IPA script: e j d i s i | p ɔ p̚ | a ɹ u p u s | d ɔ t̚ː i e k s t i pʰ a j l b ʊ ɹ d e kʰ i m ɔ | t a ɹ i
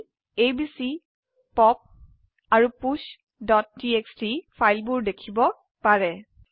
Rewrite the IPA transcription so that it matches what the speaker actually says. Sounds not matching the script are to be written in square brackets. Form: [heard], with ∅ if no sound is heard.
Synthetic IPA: e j [b] i s i | p ɔ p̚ | a ɹ u p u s | d ɔ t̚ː i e k s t i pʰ a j l b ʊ ɹ d e kʰ i [b] ɔ | [p] a ɹ [ɛ]

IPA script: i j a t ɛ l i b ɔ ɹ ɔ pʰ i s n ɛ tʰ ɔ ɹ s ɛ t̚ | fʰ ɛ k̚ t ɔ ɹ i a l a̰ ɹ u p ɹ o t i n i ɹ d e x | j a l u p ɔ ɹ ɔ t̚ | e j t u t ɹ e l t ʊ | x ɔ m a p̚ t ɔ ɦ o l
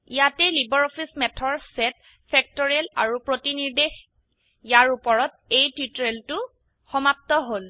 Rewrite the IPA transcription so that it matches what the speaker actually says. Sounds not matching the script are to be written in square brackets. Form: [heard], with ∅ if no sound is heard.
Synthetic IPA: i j a t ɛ l i b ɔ ɹ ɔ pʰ i s [m] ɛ tʰ ɔ ɹ s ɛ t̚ | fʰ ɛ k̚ t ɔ ɹ i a l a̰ ɹ u p ɹ o t i n i ɹ d e x | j a [ɹ] u p ɔ ɹ ɔ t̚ | e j t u t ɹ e l t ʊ | x ɔ m a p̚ t ɔ ɦ o l

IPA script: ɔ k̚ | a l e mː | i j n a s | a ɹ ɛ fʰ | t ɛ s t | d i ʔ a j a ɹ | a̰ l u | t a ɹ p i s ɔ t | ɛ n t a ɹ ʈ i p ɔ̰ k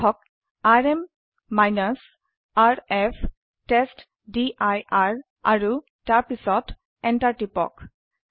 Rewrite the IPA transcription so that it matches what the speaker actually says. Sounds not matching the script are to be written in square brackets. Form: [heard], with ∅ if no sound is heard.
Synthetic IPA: ɔ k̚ | a [ɹ] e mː | [a] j n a s | a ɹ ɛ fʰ | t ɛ s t | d i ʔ a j a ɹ | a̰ [ɹ] u | t a ɹ p i s ɔ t | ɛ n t a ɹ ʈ i p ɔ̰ k

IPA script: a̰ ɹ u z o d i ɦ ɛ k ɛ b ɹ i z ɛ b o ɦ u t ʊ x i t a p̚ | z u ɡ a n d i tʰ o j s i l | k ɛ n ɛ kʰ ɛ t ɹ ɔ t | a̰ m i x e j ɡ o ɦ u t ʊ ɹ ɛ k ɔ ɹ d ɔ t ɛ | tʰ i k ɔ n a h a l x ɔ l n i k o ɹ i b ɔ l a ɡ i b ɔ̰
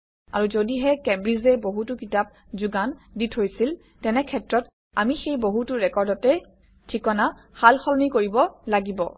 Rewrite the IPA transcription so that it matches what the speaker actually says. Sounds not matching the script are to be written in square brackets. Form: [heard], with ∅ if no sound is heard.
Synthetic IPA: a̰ ɹ u z o d i ɦ ɛ k ɛ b ɹ i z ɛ b o ɦ u t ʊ [k] i t a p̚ | z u ɡ a n d i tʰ o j s i l | [t] ɛ n ɛ kʰ ɛ t ɹ ɔ t | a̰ m i x e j [b] o ɦ u t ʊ ɹ ɛ k ɔ ɹ d ɔ t ɛ | tʰ i k ɔ n a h a l x ɔ l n i k o ɹ i b ɔ l a ɡ i b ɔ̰

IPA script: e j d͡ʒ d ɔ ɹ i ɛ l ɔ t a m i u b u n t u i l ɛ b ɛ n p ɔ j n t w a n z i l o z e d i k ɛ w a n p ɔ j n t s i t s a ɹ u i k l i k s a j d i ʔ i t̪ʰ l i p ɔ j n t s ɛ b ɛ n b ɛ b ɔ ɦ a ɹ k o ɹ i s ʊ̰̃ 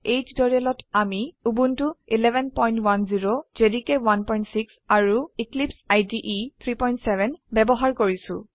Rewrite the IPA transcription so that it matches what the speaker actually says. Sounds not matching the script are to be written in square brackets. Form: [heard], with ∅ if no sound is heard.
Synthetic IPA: e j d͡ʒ d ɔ ɹ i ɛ l ɔ t a m i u b u n t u i l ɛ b ɛ n p ɔ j n t w a n z i [ɹ] o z e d i k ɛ w a n p ɔ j n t s i [k] s a ɹ u i k l i [p] s a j d i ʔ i t̪ʰ [ɹ] i p ɔ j n t s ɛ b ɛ n b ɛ b ɔ ɦ a ɹ k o ɹ i s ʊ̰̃

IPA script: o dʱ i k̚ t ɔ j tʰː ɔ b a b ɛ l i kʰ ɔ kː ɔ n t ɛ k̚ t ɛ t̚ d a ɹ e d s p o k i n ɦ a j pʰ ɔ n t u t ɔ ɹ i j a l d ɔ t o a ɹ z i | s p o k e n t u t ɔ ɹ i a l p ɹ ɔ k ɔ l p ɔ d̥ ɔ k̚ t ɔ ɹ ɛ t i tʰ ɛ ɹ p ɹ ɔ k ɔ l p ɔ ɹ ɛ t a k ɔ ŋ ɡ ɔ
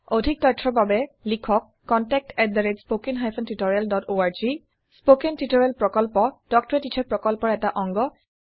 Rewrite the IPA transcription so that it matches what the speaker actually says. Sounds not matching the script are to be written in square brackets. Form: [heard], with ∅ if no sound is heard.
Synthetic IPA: o dʱ i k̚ t ɔ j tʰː ɔ b a b ɛ l i kʰ ɔ kː ɔ n t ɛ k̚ t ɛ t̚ d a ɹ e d s p o k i n ɦ a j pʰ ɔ n t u t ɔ ɹ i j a l d ɔ t o a ɹ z i | s p o k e n t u t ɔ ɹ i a l p ɹ ɔ k ɔ l p ɔ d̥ ɔ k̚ t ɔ ɹ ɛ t i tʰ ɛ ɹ p ɹ ɔ k ɔ l p ɔ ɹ ɛ t a [ʔ] ɔ ŋ ɡ ɔ

